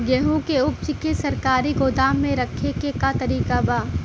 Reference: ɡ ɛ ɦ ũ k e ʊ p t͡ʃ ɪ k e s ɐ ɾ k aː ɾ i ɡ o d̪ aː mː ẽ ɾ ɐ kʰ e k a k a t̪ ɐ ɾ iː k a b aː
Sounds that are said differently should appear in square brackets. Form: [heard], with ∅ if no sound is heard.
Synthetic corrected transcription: ɡ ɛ ɦ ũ k e ʊ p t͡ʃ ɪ k e s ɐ ɾ k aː ɾ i ɡ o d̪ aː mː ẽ ɾ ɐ kʰ e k [e] k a t̪ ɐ ɾ iː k a b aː